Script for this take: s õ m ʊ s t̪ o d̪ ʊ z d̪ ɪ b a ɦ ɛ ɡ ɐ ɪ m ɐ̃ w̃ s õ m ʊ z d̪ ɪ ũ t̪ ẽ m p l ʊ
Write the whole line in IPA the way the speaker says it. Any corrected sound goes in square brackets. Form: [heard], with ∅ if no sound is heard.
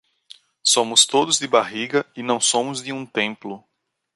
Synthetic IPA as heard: s õ m ʊ s t̪ o d̪ ʊ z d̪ ɪ b a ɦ [i] ɡ ɐ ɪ [n] ɐ̃ w̃ s õ m ʊ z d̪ ɪ ũ t̪ ẽ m p l ʊ

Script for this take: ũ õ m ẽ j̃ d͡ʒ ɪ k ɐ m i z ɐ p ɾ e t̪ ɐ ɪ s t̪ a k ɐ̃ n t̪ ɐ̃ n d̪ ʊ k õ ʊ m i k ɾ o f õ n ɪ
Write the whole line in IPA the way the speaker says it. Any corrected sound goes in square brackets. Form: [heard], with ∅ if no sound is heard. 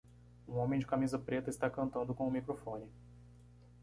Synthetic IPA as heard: ũ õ m ẽ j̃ d͡ʒ ɪ k [a] m i z ɐ p ɾ e t̪ ɐ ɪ s t̪ a k ɐ̃ n t̪ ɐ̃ n d̪ ʊ k õ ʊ m i k ɾ o f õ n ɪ

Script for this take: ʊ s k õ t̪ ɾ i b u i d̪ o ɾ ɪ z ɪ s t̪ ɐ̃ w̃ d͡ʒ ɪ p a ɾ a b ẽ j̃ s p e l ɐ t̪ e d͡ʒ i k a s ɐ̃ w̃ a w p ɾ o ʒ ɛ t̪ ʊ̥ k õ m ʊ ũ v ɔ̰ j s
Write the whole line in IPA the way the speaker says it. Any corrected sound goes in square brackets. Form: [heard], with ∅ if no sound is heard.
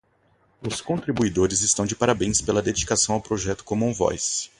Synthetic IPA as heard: ʊ s k õ t̪ ɾ i b u i d̪ o ɾ ɪ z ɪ s t̪ ɐ̃ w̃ d͡ʒ ɪ p a ɾ a b ẽ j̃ s p e l ɐ [d̪] e d͡ʒ i k a s ɐ̃ w̃ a w p ɾ o ʒ ɛ t̪ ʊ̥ k õ m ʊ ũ v ɔ̰ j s

